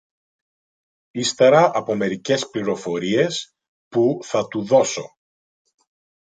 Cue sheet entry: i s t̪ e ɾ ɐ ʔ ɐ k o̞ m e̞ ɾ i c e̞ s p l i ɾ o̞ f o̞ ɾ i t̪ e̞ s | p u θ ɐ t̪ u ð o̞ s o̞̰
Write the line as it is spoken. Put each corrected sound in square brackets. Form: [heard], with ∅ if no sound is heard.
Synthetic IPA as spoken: i s t̪ e ɾ ɐ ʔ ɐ [p] o̞ m e̞ ɾ i c e̞ s p l i ɾ o̞ f o̞ ɾ i [∅] e̞ s | p u θ ɐ t̪ u ð o̞ s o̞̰